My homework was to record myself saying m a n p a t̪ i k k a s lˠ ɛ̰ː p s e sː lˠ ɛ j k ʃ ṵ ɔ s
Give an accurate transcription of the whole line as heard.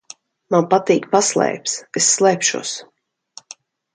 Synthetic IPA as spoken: m a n p a t̪ iː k p a s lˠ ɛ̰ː p s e sː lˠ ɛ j p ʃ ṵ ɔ s